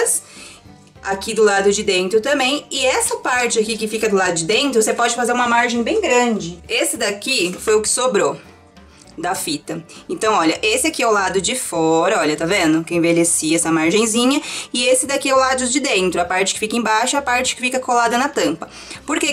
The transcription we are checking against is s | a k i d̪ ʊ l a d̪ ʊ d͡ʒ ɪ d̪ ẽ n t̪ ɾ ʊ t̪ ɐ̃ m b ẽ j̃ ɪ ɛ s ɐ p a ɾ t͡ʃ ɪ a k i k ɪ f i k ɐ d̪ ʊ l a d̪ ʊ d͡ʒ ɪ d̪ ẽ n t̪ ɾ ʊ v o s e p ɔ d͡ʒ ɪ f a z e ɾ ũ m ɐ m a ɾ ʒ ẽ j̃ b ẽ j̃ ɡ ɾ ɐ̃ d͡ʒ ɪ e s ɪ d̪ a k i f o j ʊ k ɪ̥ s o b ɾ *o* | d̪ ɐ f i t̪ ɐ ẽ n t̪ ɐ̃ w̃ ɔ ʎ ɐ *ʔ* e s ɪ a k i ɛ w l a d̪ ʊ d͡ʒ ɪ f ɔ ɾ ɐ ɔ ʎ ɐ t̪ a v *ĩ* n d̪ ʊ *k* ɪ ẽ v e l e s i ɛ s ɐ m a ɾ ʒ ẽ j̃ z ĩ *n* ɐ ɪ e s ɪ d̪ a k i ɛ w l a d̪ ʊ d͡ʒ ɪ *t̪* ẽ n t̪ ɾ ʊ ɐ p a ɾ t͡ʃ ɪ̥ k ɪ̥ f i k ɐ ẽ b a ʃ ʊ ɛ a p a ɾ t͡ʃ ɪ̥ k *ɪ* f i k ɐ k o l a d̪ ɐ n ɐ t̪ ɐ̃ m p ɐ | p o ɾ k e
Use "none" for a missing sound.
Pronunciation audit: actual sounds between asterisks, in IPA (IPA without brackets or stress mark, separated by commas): o, ʔ, ẽ, k, ɲ, d̪, ɪ